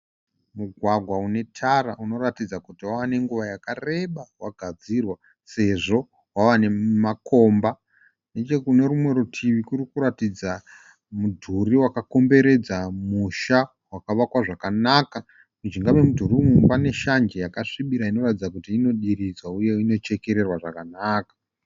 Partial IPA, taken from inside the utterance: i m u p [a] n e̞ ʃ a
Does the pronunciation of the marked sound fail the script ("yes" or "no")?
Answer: no